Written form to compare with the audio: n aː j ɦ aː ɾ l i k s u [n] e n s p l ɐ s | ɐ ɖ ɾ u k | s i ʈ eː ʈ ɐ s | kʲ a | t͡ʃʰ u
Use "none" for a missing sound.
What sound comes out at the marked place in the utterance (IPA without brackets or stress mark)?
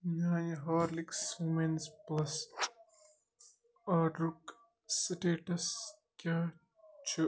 m